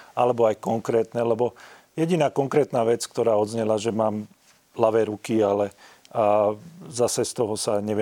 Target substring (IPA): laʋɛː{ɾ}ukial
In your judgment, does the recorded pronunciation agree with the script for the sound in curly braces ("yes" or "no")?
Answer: yes